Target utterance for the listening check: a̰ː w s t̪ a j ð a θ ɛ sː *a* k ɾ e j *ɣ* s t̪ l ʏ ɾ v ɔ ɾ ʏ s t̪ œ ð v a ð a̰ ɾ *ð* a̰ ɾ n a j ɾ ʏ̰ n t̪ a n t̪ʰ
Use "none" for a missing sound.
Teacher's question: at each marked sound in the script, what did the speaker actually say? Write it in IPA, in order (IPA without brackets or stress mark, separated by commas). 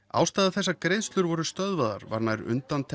a, ð, v